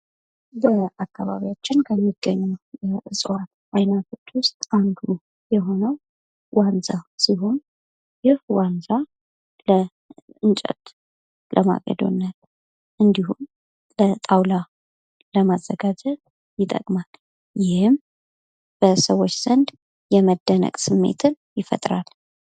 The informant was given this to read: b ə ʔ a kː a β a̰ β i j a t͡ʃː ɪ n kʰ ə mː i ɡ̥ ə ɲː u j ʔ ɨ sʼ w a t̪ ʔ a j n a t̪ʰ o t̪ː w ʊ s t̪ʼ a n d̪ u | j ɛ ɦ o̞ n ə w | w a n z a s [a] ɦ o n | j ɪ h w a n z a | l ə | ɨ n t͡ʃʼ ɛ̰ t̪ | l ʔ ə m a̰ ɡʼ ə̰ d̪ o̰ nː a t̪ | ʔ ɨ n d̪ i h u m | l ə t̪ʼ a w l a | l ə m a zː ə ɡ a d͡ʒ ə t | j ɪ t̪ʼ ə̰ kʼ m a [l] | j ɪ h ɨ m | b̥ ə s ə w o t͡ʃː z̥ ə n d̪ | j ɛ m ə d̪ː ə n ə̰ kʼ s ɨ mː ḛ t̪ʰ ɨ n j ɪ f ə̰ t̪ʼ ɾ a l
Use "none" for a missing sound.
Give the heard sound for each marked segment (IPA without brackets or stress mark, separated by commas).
i, l